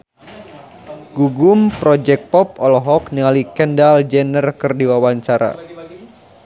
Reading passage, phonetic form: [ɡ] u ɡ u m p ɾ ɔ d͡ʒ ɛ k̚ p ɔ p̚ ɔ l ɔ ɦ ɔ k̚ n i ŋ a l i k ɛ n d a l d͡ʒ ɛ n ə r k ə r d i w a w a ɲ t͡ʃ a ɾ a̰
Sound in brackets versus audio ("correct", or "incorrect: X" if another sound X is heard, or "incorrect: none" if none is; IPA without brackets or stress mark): correct